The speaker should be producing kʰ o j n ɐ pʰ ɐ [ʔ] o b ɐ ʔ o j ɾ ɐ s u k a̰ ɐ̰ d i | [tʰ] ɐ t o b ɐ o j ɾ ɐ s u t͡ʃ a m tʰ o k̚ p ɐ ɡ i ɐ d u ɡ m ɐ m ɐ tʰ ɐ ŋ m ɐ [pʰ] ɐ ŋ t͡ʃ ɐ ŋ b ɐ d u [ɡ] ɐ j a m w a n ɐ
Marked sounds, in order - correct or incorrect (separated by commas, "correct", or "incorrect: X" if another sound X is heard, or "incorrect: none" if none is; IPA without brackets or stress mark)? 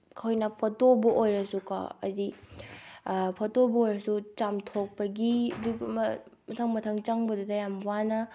incorrect: t, incorrect: pʰ, incorrect: tʰ, incorrect: d